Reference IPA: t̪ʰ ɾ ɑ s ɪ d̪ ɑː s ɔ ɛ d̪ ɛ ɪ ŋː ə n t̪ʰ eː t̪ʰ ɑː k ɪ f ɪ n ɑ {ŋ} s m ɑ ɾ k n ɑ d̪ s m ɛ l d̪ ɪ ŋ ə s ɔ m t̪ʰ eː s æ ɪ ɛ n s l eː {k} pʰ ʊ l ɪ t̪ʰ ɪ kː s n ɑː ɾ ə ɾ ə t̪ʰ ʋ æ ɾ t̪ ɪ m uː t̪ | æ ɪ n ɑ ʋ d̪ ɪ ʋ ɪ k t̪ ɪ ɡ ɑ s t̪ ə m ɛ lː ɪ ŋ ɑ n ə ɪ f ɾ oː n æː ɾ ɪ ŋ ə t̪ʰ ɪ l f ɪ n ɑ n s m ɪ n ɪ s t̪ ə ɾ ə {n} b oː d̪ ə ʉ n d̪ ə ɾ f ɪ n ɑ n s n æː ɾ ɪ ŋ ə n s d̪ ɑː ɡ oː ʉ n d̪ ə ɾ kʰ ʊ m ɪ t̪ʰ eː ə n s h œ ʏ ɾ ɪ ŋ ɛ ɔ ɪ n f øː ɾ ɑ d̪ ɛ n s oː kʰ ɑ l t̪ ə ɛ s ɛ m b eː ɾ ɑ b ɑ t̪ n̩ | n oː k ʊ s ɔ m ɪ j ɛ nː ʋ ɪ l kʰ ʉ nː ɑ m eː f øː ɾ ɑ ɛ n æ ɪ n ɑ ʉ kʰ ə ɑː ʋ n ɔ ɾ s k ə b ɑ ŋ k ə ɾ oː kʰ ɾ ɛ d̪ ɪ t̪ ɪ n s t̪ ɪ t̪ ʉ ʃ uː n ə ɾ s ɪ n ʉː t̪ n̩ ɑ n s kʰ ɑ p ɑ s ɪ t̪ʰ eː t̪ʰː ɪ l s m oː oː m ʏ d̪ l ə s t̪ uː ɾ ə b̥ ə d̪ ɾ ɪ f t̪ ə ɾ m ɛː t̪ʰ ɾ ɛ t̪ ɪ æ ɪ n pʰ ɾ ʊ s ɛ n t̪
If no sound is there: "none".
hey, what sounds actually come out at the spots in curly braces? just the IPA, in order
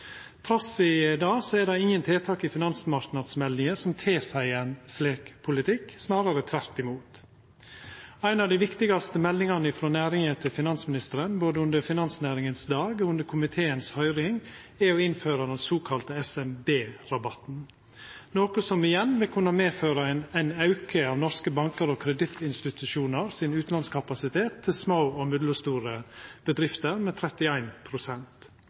n, k, n

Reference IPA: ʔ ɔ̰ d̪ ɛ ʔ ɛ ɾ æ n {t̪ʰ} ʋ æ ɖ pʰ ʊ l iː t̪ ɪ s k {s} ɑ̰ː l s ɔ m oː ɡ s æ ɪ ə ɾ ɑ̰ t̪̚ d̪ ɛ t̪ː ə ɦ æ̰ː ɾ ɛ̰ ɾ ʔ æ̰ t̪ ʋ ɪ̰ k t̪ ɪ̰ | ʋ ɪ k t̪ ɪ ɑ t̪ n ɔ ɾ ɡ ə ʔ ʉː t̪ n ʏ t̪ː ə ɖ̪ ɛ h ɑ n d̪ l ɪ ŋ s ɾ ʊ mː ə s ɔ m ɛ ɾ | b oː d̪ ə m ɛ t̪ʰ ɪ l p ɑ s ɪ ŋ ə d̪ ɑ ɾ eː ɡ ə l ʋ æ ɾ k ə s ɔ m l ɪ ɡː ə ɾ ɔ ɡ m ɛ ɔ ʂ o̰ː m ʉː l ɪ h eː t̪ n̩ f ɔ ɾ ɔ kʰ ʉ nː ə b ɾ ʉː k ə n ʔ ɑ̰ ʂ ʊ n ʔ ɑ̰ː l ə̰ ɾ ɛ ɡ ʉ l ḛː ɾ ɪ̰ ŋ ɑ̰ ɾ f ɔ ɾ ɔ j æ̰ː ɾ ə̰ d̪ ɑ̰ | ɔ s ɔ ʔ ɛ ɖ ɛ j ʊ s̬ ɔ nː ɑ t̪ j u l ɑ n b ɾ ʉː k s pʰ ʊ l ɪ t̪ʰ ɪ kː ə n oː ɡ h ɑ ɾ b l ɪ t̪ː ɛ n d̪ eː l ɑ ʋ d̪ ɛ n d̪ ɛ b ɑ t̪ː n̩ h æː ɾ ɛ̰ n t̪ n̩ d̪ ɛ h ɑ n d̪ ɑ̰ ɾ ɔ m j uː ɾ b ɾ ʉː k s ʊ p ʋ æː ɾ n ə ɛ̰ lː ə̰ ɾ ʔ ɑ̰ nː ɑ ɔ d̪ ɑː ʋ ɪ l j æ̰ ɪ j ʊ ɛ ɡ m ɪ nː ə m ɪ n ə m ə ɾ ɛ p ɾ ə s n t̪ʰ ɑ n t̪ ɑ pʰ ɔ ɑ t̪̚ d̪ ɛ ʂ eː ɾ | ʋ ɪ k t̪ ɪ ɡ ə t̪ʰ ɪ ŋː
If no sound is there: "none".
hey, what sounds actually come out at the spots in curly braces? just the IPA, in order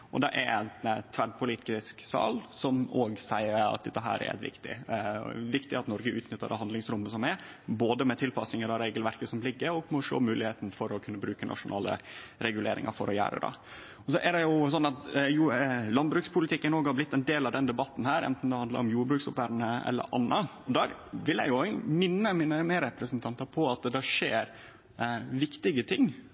t̪ʰ, s

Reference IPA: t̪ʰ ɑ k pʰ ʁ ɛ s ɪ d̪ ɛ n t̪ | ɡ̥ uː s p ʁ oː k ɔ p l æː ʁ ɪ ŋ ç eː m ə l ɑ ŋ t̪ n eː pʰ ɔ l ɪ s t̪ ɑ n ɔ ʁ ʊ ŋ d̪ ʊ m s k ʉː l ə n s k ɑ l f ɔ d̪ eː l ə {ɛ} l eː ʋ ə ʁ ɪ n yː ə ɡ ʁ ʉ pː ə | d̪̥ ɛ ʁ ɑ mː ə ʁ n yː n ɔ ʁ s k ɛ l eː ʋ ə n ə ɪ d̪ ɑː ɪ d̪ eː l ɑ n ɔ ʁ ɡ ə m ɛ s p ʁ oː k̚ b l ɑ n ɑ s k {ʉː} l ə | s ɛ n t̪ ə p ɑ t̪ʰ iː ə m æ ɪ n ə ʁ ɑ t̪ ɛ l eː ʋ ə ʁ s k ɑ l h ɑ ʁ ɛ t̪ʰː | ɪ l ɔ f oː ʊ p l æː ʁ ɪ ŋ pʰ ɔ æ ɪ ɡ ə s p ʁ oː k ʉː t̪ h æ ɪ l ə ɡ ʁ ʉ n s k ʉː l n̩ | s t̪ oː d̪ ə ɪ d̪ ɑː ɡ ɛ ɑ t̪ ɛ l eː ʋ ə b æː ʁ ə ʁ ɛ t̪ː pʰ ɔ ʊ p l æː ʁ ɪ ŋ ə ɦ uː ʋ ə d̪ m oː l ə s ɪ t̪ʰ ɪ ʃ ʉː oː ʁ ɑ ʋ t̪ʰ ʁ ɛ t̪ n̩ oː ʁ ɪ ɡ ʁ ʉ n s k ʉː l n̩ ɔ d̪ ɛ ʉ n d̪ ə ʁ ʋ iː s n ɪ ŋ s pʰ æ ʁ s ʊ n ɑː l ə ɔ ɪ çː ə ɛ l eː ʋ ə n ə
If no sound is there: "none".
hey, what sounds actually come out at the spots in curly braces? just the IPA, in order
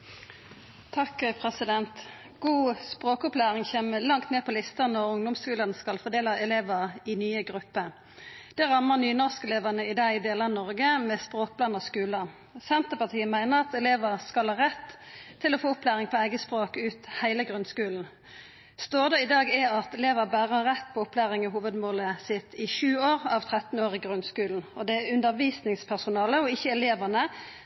ɛ, ʉː

